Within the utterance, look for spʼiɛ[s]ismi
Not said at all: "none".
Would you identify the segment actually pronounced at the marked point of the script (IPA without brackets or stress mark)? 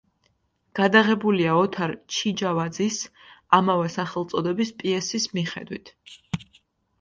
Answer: s